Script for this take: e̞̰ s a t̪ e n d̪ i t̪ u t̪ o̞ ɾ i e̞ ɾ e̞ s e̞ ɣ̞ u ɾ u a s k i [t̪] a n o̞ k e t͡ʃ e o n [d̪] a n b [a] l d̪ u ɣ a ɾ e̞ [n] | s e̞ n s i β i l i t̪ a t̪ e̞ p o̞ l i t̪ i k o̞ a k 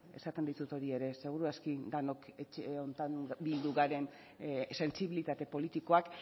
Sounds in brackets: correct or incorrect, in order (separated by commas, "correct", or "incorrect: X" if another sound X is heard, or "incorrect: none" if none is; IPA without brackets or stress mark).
incorrect: d̪, incorrect: t̪, incorrect: i, correct